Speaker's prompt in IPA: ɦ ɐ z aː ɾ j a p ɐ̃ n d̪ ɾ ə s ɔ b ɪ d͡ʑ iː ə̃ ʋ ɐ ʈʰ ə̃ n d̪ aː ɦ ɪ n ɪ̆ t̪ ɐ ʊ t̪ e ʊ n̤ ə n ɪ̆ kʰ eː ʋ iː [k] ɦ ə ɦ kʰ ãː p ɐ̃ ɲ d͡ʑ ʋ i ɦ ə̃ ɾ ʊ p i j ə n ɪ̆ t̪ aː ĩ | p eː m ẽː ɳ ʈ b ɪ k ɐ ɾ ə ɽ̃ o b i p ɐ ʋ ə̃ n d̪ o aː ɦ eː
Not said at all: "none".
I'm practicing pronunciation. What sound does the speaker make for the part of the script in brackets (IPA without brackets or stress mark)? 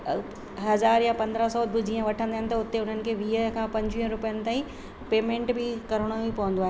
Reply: none